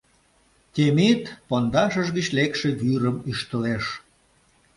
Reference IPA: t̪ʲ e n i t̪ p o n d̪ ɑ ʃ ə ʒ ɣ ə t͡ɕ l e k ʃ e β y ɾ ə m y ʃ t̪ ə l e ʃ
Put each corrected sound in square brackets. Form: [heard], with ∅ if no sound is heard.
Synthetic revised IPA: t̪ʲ e [m] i t̪ p o n d̪ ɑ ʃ ə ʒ ɣ ə t͡ɕ l e k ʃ e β y ɾ ə m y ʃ t̪ ə l e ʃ